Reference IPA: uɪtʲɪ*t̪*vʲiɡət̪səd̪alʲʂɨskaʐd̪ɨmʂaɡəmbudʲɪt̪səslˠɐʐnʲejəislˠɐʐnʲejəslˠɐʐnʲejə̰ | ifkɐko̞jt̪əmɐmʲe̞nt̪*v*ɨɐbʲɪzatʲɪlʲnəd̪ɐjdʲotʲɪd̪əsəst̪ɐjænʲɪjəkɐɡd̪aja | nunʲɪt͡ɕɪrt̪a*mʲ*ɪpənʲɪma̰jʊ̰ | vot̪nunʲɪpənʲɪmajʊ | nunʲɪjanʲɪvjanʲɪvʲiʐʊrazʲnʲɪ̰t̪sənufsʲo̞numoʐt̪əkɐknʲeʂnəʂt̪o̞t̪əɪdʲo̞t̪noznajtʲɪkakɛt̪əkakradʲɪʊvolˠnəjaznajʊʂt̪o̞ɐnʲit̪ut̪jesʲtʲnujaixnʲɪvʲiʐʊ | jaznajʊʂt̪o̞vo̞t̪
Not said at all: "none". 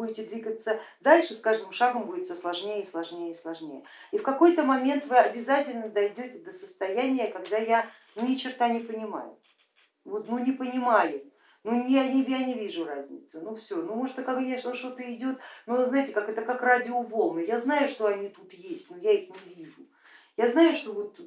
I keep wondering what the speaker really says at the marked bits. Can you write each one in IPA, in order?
d̪, v, nʲ

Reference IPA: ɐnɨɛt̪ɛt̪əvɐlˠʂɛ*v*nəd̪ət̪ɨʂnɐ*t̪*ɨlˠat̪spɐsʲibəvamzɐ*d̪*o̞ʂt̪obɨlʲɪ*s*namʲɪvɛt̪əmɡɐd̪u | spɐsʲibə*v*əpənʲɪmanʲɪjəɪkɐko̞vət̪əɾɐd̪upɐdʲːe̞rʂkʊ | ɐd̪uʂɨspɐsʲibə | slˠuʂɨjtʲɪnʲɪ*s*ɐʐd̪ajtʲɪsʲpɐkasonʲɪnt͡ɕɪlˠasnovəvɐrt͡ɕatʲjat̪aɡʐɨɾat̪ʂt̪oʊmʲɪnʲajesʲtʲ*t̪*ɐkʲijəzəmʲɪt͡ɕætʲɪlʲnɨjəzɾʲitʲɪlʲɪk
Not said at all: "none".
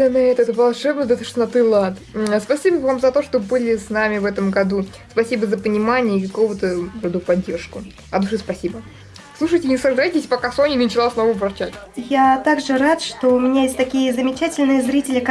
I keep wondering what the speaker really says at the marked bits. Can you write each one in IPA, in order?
b, t̪, t̪, s, z, s, t̪

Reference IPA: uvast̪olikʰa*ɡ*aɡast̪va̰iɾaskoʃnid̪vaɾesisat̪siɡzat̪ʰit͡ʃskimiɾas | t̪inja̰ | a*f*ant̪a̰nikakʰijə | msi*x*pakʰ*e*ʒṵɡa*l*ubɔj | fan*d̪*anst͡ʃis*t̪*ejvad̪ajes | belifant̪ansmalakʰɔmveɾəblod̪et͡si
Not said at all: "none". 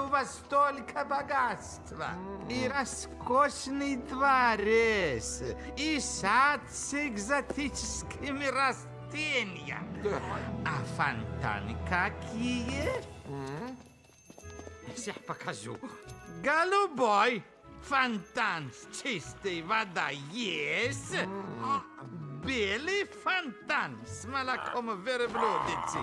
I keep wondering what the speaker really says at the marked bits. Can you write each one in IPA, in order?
b, f, ħ, a, l, t̪, t̪

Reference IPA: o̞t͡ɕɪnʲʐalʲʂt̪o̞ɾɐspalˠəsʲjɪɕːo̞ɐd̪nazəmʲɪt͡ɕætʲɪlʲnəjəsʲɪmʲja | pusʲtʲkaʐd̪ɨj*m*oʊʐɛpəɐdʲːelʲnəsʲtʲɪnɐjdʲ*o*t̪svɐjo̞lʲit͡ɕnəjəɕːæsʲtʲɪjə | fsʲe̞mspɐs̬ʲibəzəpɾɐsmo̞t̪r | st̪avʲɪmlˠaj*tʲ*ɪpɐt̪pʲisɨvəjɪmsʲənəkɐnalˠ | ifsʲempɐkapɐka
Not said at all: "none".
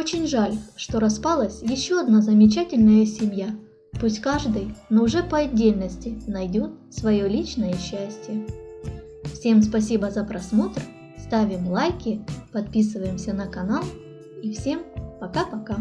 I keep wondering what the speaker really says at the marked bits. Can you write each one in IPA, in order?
n, o, kʲ

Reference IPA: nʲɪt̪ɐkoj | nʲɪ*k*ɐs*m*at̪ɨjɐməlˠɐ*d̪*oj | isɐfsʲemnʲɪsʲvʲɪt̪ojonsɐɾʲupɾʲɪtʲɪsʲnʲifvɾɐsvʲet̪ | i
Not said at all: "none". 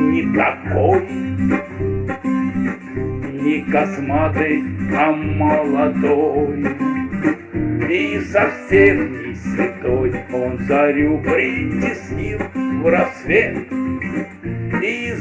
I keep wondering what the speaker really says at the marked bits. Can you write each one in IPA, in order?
k, m, d̪

